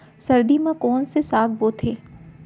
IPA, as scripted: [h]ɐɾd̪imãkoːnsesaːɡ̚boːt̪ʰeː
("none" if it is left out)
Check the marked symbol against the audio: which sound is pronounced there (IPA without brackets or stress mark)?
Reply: s